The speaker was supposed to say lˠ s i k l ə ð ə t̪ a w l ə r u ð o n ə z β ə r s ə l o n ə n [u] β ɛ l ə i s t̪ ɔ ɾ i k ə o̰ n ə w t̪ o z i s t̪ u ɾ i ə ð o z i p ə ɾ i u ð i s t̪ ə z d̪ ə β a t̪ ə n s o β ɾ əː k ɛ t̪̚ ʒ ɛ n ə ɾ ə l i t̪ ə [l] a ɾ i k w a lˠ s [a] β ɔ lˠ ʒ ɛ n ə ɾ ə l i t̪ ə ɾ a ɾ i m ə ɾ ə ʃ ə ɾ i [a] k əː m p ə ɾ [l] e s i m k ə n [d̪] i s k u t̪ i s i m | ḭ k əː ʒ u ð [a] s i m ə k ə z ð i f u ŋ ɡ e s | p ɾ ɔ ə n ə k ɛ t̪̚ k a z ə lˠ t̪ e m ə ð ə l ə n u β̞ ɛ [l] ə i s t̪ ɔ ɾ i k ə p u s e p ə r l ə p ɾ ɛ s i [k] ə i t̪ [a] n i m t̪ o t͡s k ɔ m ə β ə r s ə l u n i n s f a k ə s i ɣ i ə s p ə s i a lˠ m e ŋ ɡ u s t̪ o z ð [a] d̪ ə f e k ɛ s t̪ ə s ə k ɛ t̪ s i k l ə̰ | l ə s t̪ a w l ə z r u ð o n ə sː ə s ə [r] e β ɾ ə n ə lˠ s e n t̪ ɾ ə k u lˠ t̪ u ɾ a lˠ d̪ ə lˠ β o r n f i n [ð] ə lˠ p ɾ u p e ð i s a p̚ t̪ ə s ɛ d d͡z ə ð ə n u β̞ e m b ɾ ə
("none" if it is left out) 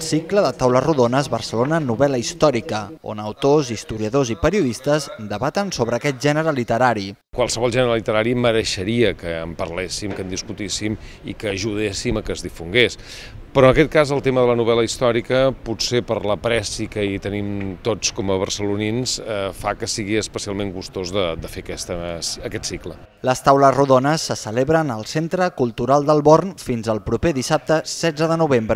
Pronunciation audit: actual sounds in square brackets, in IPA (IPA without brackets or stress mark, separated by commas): u, ɾ, ə, ə, l, d̪, e, l, k, ə, ə, l, z